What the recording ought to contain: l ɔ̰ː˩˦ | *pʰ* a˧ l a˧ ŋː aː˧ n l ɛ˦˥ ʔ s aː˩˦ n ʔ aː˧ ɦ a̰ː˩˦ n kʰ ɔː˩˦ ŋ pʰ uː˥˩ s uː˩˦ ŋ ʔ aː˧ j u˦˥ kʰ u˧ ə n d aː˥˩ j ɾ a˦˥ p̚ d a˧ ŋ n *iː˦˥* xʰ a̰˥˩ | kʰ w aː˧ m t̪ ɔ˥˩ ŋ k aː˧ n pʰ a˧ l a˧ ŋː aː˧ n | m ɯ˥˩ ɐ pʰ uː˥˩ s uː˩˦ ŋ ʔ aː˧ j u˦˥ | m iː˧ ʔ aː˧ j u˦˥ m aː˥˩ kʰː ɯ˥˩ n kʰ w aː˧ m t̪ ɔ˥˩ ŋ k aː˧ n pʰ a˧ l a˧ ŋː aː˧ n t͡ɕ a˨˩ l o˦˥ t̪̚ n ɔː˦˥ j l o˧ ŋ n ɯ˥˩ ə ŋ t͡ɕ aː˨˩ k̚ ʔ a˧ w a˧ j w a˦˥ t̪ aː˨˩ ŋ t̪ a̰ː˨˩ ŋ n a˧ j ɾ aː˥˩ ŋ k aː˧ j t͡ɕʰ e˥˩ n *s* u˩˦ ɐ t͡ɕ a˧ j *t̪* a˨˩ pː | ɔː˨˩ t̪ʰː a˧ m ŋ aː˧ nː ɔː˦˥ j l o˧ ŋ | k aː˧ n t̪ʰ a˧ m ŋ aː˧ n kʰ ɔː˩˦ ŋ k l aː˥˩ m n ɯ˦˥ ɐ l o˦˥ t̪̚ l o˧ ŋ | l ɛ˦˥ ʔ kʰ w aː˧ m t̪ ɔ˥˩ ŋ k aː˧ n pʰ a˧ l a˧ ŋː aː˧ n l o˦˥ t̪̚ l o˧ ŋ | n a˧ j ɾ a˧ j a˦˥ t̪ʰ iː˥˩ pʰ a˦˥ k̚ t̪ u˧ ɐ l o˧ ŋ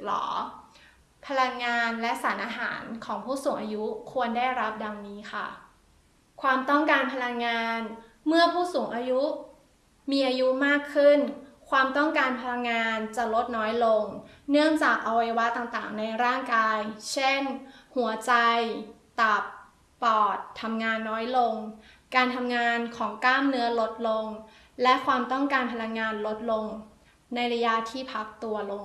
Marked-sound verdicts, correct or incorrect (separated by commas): correct, correct, incorrect, correct